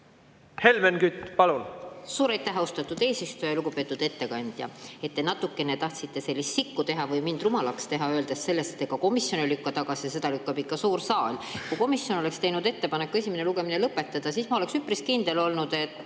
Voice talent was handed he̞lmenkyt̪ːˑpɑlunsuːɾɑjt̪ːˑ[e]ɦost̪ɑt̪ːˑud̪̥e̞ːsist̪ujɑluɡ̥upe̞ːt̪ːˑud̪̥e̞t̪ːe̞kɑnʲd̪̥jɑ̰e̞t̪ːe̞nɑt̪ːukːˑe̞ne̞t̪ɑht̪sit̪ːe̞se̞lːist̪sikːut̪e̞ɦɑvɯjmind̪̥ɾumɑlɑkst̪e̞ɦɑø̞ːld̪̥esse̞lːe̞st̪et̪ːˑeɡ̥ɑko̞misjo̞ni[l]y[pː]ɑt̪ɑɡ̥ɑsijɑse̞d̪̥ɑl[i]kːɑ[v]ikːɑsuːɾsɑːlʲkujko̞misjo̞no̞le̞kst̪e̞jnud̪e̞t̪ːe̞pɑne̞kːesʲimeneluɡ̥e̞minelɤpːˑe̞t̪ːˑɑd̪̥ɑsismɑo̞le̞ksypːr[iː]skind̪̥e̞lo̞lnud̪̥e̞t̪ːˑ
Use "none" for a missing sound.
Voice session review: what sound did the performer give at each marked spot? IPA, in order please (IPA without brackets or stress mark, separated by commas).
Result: æ, l, kː, y, b, i